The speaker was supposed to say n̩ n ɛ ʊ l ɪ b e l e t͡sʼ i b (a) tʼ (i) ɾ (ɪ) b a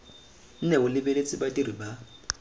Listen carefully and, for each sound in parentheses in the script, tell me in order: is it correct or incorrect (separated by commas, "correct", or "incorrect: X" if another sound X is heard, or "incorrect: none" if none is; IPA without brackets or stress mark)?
correct, correct, incorrect: i